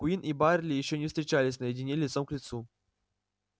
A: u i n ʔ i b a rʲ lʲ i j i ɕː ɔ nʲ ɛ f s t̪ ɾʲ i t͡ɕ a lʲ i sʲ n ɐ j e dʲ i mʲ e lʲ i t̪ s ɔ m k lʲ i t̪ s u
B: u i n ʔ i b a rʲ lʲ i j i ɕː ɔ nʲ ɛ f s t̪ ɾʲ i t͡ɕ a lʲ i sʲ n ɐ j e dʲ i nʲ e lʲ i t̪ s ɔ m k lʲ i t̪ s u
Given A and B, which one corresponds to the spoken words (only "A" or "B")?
B